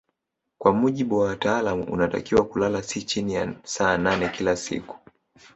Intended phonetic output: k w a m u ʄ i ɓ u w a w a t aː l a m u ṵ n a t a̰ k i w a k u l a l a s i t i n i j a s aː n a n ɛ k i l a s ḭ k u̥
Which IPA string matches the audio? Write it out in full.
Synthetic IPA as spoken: k w a m u ʄ i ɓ u w a w a t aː l a m u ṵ n a t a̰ k i w a k u l a l a s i t͡ʃ i n i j a s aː n a n ɛ k i l a s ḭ k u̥